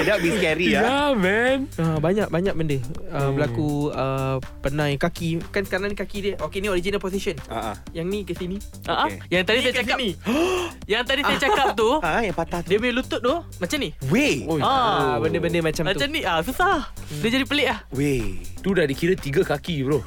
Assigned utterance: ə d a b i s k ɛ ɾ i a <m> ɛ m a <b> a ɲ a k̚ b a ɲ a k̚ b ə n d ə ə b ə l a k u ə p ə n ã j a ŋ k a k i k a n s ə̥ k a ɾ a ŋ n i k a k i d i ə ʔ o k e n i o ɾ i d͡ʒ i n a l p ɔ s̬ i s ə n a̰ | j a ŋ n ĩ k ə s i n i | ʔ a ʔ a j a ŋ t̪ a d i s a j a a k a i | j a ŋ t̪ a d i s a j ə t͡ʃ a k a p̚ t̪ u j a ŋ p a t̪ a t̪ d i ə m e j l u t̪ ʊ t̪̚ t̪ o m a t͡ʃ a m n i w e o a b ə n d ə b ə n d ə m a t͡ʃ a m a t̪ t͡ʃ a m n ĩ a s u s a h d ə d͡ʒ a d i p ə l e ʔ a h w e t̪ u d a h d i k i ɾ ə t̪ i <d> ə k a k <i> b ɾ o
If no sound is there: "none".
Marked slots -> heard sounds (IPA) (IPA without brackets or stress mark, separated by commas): m, b, ɡ, i